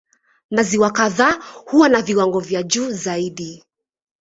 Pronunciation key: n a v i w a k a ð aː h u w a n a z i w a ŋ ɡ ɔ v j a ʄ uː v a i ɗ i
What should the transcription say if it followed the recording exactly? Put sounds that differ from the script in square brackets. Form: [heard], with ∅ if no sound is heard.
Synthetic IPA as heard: n a [z] i w a k a ð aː h u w a n a [v] i w a ŋ ɡ ɔ v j a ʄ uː [z] a i ɗ i

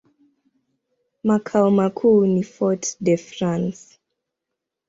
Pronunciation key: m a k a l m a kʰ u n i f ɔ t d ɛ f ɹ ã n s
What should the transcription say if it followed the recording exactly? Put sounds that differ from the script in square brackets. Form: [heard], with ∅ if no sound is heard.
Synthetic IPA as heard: m a [kʰ] a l m a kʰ u n i f ɔ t d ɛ f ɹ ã n s

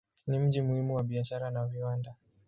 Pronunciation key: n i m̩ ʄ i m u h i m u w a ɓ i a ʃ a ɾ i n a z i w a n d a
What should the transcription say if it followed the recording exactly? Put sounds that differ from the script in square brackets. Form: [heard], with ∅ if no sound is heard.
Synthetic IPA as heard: n i m̩ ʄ i m u h i m u w a ɓ i a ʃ a ɾ [a] n a [v] i w a n d a

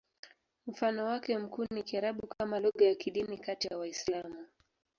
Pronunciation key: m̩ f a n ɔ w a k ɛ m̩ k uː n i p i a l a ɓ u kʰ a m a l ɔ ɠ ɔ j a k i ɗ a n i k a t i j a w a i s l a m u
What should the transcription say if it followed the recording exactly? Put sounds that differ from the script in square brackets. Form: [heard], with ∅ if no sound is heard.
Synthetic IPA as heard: m̩ f a n ɔ w a k ɛ m̩ k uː n i [k] i a [ɾ] a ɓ u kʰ a m a l ɔ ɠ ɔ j a k i ɗ [i] n i k a t i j a w a i s l a m u

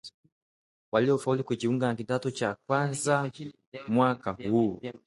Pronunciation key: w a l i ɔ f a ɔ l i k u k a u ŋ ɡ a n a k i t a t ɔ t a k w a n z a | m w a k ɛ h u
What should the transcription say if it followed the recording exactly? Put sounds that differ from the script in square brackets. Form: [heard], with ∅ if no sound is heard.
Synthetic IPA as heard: w a l i ɔ f a [u] l i k u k [i] u ŋ ɡ a n a k i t a t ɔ [t͡ʃ] a k w a n z a | m w a k [a] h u

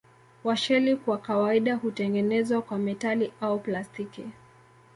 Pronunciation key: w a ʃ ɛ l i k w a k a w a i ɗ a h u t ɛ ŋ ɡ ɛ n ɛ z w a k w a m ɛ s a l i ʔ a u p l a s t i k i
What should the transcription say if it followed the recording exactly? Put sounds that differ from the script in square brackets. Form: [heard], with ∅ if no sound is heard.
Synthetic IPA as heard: w a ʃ ɛ l i k w a k a w a i ɗ a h u t ɛ ŋ ɡ ɛ n ɛ z w a k w a m ɛ [t] a l i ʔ a u p l a s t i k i

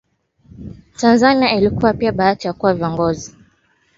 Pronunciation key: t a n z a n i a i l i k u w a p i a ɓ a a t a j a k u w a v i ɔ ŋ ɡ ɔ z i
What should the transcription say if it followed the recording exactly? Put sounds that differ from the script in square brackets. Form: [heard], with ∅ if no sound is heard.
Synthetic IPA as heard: t a n z a n i a i l i k u w a p i a ɓ a a t [i] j a k u w a v i ɔ ŋ ɡ ɔ z i

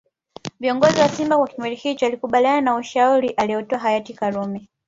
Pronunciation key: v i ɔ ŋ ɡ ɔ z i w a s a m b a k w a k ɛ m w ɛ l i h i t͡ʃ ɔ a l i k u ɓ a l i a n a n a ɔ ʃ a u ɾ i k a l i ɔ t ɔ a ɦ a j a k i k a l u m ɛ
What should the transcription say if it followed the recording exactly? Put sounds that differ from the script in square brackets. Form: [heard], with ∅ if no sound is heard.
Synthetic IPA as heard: v i ɔ ŋ ɡ ɔ z i w a s [i] m b a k w a k [i] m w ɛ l i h i t͡ʃ ɔ a l i k u ɓ a l i a n a n a [u] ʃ a u ɾ i [ʔ] a l i ɔ t ɔ a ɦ a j a [t] i k a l u m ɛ

